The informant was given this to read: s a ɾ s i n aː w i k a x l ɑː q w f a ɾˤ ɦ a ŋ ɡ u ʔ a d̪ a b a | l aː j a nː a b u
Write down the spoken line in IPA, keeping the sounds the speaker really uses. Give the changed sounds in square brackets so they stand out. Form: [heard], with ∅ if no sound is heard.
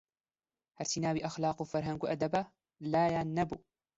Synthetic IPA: [h] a ɾ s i n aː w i [ʔ] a x l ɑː q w f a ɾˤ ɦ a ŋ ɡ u ʔ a d̪ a b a | l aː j a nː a b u